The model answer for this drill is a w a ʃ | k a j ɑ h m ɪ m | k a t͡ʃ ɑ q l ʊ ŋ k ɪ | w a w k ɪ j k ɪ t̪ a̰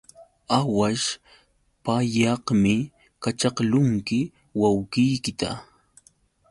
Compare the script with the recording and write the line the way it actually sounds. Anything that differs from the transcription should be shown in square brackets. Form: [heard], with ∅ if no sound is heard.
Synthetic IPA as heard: a w a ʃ | [p] a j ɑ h m ɪ [∅] | k a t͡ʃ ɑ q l ʊ ŋ k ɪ | w a w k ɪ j k ɪ t̪ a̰